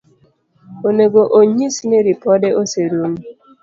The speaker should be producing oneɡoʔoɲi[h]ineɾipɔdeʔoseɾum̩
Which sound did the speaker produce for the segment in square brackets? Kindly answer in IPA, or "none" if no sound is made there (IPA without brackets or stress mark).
s